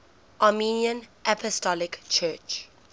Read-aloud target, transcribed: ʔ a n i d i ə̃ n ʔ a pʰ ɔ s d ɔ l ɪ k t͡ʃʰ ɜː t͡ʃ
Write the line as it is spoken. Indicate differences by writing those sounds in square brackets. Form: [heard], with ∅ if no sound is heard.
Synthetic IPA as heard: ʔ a [m] i [n] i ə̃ n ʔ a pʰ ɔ s [t] ɔ l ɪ k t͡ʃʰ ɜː t͡ʃ